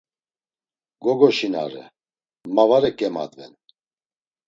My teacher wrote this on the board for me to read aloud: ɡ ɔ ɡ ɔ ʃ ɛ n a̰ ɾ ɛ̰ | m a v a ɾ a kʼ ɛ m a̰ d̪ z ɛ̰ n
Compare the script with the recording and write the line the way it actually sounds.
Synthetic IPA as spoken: ɡ ɔ ɡ ɔ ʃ i n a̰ ɾ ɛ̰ | m a v a ɾ ɛ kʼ ɛ m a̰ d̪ v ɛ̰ n